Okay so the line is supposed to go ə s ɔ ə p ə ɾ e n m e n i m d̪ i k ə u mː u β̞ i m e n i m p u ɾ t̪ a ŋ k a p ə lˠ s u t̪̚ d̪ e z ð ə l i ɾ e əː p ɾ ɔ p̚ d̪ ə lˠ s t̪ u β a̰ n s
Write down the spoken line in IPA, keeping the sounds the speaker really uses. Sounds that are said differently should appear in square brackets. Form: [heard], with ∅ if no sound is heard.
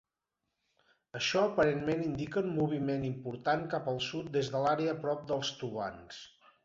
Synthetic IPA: ə [ʃ] ɔ ə p ə ɾ e n m e n i [n] d̪ i k ə u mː u β̞ i m e n i m p u ɾ t̪ a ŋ k a p ə lˠ s u t̪̚ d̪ e z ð ə l [a] ɾ e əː p ɾ ɔ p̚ d̪ ə lˠ s t̪ u β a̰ n s

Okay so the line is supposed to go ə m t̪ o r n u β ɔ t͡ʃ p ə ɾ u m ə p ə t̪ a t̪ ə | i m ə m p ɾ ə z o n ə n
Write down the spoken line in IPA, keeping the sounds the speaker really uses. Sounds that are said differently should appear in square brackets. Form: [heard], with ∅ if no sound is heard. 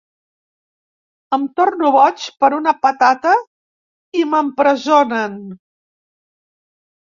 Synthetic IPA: ə m t̪ o r n u β ɔ t͡ʃ p ə ɾ u [n] ə p ə t̪ a t̪ ə | i m ə m p ɾ ə z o n ə n

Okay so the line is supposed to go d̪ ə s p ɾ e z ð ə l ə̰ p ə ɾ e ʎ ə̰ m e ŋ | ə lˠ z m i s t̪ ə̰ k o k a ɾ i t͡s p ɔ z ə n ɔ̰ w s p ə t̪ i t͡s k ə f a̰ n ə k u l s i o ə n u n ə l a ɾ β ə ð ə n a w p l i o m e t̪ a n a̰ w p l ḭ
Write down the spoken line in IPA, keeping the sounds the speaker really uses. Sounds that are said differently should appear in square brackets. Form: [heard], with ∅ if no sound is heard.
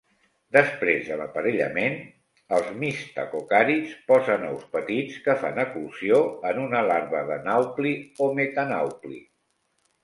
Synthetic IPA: d̪ ə s p ɾ e z ð ə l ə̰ p ə ɾ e ʎ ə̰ m e [n] | ə lˠ z m i s t̪ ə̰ k o k a ɾ i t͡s p ɔ z ə n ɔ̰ w s p ə t̪ i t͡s k ə f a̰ n ə k u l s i o ə n u n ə l a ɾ β ə ð ə n a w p l i o m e t̪ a n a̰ w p l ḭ

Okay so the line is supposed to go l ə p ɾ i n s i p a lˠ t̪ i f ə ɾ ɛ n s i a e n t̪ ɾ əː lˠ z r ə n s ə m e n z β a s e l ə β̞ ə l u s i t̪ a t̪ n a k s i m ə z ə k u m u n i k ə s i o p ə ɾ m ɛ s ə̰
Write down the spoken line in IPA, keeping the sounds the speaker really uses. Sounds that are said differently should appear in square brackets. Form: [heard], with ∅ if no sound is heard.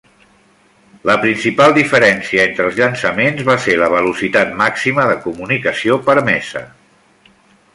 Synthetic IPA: l ə p ɾ i n s i p a lˠ [d̪] i f ə ɾ ɛ n s i [ə] e n t̪ ɾ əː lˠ z [ʎ] ə n s ə m e n z β a s e l ə β̞ ə l u s i t̪ a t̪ [m] a k s i m ə [ð] ə k u m u n i k ə s i o p ə ɾ m ɛ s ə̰

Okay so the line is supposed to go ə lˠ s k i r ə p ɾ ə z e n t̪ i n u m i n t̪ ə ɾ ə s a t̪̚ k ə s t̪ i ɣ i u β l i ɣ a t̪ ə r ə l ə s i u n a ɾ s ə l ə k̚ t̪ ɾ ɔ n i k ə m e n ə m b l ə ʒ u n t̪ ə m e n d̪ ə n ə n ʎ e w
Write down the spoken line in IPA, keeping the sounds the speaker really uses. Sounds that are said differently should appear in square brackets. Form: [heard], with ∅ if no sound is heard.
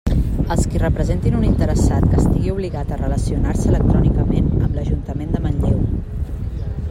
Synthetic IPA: ə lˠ s k i r ə p ɾ ə z e n t̪ i n u [n] i n t̪ ə ɾ ə s a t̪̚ k ə s t̪ i ɣ i u β l i ɣ a t̪ ə r ə l ə s i u n a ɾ s ə l ə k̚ t̪ ɾ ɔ n i k ə m e n ə m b l ə ʒ u n t̪ ə m e n d̪ ə [m] ə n ʎ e w

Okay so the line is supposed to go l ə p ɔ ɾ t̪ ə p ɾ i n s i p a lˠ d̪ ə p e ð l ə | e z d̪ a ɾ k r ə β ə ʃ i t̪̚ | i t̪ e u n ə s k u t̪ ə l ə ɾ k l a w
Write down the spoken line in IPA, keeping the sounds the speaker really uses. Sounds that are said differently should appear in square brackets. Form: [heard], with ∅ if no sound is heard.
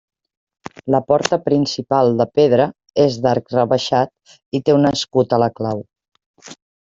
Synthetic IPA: l ə p ɔ ɾ t̪ ə p ɾ i n s i p a lˠ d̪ ə p e ð [ɾ] ə | e z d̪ a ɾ k r ə β ə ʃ [a] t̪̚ | i t̪ e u n ə s k u t̪ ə l ə [∅] k l a w

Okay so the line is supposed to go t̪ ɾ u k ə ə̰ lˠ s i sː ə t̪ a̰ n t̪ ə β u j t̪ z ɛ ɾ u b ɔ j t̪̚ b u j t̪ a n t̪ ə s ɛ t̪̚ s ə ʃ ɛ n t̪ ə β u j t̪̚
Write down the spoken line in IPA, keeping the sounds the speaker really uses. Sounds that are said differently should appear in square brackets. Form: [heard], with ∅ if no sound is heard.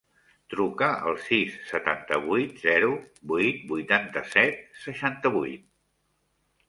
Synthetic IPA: t̪ ɾ u k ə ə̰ lˠ s i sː ə t̪ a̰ n t̪ ə β u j t̪ z ɛ ɾ u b [u] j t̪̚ b u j t̪ a n t̪ ə s ɛ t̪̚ s ə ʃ [a] n t̪ ə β u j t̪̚

